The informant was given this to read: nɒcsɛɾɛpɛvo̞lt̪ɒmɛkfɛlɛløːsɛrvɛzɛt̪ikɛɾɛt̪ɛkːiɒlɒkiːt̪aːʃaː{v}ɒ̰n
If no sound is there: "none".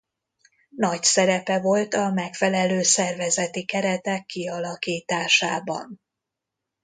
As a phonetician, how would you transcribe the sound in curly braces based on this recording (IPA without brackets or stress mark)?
b